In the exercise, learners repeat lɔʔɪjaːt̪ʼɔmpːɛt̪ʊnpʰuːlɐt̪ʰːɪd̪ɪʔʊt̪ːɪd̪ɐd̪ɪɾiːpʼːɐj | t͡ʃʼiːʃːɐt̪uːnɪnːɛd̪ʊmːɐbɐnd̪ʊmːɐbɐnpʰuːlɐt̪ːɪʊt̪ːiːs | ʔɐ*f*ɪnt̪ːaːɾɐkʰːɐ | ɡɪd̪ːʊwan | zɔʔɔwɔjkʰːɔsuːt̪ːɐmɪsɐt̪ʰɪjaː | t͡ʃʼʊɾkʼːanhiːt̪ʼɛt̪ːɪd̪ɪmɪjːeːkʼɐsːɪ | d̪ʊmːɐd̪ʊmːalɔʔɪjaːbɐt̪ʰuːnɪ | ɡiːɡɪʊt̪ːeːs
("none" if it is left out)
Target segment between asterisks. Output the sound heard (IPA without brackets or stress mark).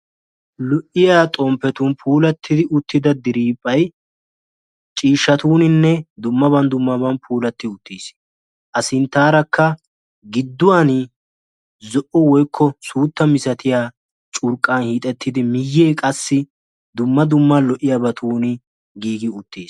s